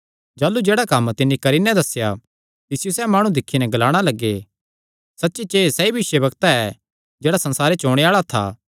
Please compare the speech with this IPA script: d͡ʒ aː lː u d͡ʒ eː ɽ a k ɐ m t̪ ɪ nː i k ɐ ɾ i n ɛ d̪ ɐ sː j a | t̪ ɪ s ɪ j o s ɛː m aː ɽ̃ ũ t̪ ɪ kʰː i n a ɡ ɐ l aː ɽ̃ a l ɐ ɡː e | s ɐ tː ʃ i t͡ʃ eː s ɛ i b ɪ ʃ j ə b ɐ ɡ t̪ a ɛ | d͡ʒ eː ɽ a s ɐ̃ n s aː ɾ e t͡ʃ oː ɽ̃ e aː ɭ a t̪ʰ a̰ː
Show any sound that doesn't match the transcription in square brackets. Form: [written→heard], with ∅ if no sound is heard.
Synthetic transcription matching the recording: d͡ʒ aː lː u d͡ʒ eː ɽ a k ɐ m t̪ ɪ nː i k ɐ ɾ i n ɛ d̪ ɐ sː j a | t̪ ɪ s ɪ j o s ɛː m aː ɽ̃ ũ [t̪→d̪] ɪ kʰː i n [a→ɛ] ɡ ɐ l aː ɽ̃ a l ɐ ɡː e | s ɐ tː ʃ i t͡ʃ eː s ɛ i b ɪ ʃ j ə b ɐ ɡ t̪ a ɛ | d͡ʒ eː ɽ a s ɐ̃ n s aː ɾ e t͡ʃ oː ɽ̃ e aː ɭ a t̪ʰ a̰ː